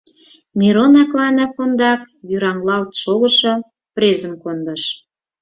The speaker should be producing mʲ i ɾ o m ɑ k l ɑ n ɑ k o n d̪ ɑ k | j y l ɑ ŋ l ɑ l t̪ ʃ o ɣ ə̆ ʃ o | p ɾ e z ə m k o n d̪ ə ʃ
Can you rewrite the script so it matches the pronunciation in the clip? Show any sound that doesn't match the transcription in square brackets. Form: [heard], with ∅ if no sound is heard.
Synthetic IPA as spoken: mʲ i ɾ o [n] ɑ k l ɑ n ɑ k o n d̪ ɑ k | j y [ɾ] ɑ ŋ l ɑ l t̪ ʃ o ɣ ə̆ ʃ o | p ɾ e z ə m k o n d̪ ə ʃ